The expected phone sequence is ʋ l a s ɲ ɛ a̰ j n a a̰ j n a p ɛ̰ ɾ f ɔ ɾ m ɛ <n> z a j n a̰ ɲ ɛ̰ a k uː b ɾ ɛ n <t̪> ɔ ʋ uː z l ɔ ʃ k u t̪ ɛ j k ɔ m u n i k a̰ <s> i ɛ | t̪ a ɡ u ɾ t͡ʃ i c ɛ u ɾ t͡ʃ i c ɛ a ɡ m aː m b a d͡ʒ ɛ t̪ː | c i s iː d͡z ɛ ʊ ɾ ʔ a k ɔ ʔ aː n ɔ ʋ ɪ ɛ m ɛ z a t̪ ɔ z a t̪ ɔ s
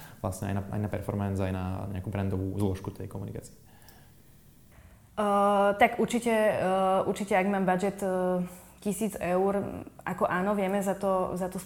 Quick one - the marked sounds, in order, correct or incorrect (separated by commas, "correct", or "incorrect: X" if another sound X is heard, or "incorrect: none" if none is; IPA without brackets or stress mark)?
correct, incorrect: d̪, incorrect: t͡s